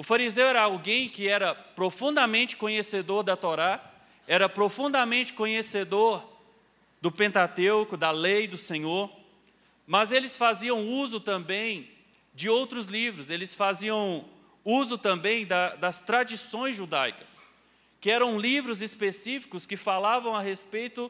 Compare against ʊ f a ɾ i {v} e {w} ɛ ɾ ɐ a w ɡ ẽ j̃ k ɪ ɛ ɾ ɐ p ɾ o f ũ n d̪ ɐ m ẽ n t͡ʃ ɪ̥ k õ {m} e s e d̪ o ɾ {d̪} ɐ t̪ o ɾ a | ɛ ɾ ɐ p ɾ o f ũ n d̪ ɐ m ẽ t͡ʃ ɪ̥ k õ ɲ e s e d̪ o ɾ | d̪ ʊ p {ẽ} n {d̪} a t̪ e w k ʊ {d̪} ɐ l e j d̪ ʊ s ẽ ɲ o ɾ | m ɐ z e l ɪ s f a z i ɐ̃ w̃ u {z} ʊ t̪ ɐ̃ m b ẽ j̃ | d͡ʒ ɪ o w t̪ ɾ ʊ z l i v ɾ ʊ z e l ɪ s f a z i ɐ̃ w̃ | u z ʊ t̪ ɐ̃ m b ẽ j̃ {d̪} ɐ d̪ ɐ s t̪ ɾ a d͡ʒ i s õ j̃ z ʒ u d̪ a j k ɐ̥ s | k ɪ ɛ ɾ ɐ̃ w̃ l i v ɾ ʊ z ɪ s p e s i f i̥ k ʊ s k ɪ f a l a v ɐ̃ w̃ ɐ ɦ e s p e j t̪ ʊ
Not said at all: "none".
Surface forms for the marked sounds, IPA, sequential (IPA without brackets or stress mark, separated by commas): z, w, ɲ, d̪, ẽ, t̪, d̪, z, d̪